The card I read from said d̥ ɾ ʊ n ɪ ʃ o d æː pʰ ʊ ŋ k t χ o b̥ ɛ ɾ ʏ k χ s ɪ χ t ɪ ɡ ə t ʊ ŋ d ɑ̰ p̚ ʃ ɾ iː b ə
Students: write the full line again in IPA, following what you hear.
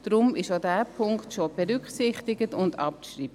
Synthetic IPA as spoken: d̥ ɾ ʊ m ɪ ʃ o d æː pʰ ʊ ŋ k t ʃ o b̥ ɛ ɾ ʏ k χ s ɪ χ t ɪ ɡ ə t ʊ n d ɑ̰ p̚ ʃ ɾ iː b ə